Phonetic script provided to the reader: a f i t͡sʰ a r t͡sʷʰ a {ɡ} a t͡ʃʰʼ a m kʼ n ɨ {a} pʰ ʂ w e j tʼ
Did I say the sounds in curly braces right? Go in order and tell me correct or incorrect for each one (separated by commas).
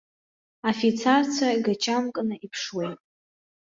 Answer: correct, incorrect